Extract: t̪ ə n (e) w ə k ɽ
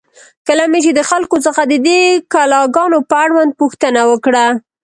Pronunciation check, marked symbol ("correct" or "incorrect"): incorrect